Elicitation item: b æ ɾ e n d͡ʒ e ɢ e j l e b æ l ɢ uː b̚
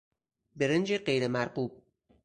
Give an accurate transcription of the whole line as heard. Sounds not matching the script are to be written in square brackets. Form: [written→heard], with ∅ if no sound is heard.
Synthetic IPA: b [æ→e] ɾ e n d͡ʒ e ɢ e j [l→ɾ] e [b→m] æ [l→ɾ] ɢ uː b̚

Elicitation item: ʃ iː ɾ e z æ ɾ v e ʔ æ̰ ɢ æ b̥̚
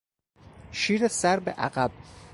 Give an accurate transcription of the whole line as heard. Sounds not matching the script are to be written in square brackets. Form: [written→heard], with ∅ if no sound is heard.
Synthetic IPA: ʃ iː ɾ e [z→s] æ ɾ [v→b] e ʔ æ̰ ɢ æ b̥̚

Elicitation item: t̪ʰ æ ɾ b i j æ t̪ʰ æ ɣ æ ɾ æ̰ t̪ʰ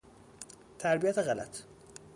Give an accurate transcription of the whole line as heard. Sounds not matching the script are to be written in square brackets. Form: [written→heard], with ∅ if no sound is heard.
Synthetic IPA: t̪ʰ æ ɾ b i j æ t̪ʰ [æ→e] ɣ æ [ɾ→l] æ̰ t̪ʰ

